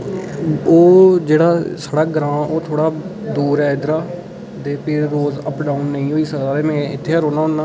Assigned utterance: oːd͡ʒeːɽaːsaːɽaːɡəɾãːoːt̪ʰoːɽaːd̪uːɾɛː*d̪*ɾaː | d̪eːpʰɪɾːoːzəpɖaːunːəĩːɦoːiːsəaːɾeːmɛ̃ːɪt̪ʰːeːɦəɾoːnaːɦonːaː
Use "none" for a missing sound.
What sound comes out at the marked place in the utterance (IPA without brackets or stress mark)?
d̪